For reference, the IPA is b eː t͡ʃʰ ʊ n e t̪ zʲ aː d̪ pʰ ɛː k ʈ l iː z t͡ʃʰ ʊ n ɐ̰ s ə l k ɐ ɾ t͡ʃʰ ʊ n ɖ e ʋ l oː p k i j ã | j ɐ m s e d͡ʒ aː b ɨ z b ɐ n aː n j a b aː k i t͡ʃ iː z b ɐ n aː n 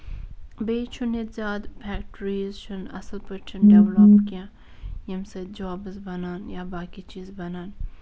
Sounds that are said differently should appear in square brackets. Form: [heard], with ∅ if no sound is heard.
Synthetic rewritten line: b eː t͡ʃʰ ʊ n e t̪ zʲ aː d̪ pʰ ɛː k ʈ [ɾ] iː z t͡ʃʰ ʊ n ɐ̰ s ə l [p] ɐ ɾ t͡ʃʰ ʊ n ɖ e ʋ l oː p k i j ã | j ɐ m s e d͡ʒ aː b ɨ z b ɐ n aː n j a b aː k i t͡ʃ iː z b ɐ n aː n